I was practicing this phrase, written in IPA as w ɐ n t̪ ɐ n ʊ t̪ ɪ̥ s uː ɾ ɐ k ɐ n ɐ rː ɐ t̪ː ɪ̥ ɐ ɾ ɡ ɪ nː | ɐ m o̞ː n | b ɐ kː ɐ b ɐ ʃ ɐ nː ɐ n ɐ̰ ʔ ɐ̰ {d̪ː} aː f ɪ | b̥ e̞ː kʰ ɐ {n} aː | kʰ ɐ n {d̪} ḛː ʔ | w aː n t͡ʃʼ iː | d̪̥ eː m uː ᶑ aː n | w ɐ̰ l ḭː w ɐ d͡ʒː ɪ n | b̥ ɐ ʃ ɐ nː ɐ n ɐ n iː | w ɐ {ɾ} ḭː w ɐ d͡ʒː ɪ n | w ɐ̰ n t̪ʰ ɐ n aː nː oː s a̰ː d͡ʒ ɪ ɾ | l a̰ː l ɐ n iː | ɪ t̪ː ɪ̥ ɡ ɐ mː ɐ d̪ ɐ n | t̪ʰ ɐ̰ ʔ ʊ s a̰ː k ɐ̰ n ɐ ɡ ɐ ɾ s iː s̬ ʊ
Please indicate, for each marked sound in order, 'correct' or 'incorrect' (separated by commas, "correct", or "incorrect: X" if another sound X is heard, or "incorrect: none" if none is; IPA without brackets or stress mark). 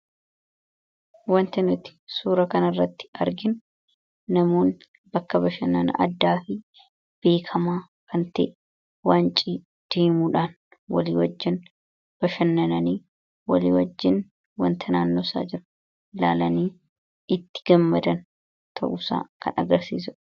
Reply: correct, incorrect: m, incorrect: t̪, incorrect: l